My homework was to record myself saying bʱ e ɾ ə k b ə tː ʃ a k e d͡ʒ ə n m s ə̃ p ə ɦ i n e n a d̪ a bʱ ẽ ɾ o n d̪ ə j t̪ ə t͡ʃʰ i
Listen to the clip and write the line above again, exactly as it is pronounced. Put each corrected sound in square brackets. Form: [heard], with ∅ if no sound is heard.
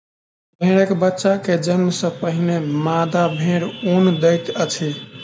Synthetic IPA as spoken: bʱ e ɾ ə k b ə tː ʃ a k e d͡ʒ ə n m s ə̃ p ə ɦ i n e [m] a d̪ a bʱ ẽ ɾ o n d̪ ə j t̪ ə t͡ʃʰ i